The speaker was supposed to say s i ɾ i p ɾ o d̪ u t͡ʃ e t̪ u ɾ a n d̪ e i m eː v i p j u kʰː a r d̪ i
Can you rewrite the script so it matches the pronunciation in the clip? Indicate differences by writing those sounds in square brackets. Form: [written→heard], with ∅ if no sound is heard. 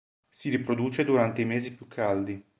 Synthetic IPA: s i ɾ i p ɾ o d̪ [u→uː] t͡ʃ e [t̪→d̪] u ɾ a n [d̪→t̪] e i m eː [v→z] i p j u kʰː a [r→l] d̪ i